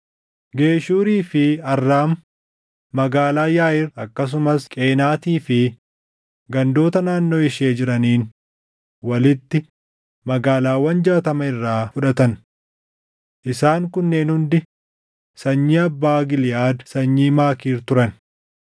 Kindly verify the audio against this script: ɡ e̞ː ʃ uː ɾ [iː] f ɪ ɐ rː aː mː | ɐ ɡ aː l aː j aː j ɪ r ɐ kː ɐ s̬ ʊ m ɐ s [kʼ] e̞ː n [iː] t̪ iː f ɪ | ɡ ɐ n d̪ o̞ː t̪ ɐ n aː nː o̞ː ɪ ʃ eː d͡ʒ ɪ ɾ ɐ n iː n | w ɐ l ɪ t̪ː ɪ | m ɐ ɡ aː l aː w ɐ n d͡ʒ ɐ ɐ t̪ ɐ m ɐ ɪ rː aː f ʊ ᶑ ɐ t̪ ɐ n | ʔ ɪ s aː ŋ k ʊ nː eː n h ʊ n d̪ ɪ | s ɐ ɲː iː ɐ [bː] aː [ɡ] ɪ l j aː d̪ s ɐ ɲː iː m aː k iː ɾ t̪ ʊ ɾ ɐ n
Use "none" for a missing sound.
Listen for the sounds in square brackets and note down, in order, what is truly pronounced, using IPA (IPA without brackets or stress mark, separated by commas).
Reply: iː, kʼ, aː, bː, ɡ